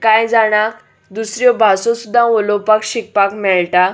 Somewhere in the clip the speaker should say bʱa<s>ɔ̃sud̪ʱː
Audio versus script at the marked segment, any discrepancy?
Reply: no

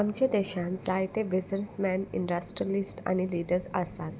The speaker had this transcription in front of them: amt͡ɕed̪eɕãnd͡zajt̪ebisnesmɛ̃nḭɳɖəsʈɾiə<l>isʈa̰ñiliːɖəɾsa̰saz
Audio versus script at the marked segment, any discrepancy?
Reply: no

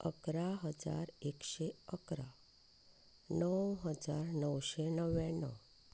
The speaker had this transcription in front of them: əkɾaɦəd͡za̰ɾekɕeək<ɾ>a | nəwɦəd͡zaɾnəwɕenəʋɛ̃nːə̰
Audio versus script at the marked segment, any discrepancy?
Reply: no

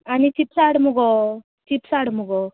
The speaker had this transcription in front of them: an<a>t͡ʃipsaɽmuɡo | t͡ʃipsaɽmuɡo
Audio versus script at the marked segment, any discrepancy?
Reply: yes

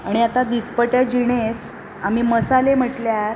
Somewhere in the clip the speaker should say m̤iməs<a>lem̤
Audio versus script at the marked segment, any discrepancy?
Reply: no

